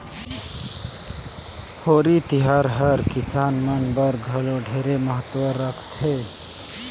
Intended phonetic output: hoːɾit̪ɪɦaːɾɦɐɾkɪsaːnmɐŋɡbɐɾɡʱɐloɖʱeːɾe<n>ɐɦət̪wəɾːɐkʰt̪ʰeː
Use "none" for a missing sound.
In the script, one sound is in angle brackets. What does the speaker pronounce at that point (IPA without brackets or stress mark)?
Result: m